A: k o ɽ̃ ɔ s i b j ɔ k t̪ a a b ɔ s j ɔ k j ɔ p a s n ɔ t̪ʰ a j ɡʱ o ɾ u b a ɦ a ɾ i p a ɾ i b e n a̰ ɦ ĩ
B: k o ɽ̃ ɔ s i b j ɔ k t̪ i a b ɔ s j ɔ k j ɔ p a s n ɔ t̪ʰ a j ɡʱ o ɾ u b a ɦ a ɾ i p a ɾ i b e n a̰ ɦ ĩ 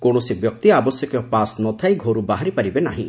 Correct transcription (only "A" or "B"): B